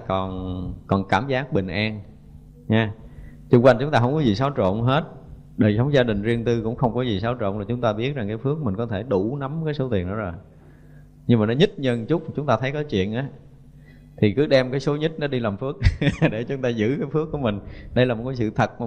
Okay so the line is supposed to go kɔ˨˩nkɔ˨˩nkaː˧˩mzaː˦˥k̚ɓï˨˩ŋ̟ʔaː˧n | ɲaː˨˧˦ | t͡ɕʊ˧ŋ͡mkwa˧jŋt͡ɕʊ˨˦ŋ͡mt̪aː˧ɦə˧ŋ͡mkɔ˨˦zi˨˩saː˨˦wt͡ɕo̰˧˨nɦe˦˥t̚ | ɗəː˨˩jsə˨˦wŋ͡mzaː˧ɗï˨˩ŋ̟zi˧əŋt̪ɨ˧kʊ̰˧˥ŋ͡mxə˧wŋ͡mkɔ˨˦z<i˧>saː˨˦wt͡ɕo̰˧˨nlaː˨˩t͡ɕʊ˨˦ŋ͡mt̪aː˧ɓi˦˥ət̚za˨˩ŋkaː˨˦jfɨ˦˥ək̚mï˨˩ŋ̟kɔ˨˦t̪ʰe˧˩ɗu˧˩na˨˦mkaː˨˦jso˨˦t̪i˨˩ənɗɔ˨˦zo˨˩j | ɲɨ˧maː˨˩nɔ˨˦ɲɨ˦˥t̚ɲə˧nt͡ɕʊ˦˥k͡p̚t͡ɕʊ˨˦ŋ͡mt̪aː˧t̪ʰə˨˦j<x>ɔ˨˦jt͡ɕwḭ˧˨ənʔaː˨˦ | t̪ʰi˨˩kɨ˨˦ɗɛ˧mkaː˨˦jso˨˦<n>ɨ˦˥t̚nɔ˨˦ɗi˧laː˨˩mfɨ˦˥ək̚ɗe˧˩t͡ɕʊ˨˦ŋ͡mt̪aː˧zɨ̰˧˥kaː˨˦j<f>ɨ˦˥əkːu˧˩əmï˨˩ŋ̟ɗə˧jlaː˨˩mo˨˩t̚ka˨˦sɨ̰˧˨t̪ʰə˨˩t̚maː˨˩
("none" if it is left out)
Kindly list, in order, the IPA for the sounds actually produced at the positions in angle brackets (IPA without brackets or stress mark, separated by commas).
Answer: i˨˩, k, ɲ, f